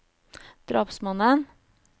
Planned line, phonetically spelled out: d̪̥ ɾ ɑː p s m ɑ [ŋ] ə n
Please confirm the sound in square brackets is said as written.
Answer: no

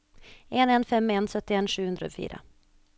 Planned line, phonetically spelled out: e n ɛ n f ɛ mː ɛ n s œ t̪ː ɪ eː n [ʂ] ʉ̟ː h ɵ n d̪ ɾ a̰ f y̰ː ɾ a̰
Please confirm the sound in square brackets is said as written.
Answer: yes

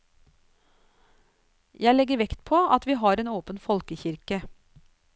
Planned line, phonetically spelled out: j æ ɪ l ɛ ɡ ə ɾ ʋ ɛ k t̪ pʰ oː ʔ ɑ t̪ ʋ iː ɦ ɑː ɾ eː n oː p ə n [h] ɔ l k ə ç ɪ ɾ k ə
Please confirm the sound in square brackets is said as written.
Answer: no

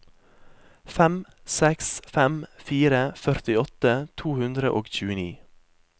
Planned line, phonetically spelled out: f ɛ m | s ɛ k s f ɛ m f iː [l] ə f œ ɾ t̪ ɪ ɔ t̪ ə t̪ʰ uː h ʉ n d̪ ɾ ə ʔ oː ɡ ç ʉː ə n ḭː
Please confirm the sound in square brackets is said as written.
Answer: no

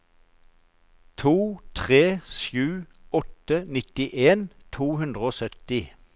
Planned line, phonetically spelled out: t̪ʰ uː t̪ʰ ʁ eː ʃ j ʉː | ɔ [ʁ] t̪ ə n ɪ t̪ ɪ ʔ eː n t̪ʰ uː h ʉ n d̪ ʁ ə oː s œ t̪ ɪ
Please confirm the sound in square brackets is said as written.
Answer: no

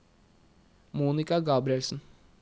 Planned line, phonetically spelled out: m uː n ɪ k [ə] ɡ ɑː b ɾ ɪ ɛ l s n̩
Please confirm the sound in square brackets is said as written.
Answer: no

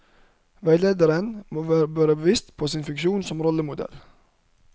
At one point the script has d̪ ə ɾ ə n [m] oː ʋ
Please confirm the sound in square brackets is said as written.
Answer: yes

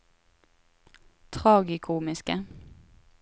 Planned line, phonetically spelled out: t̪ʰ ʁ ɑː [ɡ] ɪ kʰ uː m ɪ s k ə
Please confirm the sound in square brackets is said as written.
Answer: yes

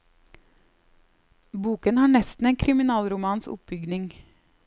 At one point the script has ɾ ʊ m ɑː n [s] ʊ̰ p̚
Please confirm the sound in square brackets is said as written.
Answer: yes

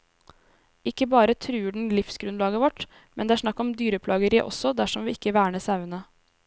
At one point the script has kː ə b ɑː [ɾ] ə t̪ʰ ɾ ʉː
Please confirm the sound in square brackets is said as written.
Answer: yes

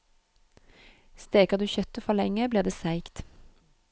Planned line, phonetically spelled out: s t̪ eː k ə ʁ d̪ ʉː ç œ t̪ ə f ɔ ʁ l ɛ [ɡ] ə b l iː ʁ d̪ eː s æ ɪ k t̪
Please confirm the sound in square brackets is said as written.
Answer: no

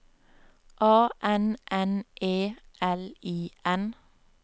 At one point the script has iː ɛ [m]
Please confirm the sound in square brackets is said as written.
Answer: no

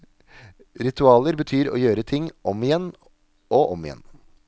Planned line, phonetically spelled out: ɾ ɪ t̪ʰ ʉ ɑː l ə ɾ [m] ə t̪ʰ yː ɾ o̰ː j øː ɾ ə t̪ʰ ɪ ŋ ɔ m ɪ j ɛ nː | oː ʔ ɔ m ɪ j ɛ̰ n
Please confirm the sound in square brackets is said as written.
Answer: no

